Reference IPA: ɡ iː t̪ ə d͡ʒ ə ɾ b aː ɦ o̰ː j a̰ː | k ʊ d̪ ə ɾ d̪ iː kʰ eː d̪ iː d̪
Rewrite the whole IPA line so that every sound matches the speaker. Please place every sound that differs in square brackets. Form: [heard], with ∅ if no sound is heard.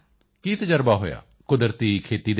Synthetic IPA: [k] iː t̪ ə d͡ʒ ə ɾ b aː ɦ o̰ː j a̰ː | k ʊ d̪ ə ɾ [t̪] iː kʰ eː [t̪] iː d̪